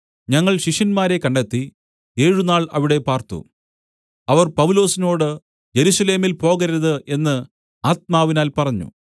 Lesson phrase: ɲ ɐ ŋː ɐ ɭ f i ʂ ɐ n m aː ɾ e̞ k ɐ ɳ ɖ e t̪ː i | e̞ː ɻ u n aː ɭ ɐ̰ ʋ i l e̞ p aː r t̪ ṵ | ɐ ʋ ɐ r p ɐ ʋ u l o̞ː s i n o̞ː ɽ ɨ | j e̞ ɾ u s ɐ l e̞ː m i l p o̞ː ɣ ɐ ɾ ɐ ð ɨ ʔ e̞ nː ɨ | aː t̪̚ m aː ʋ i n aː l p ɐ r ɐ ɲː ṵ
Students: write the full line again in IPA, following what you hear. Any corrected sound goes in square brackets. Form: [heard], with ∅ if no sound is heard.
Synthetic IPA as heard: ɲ ɐ ŋː ɐ ɭ [ɕ] i ʂ ɐ n m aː ɾ e̞ k ɐ ɳ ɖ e t̪ː i | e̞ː ɻ u n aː ɭ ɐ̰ ʋ i [ɽ] e̞ p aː r t̪ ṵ | ɐ ʋ ɐ r p ɐ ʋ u l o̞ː s i n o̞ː ɽ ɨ | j e̞ ɾ u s ɐ l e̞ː m i l p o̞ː ɣ ɐ ɾ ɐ ð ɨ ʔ e̞ nː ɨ | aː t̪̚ m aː ʋ i n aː l p ɐ r ɐ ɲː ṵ